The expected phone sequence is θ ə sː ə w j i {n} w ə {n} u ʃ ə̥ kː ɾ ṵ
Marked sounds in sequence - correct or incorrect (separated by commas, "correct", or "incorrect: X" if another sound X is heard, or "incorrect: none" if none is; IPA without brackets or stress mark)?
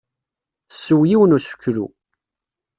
incorrect: none, correct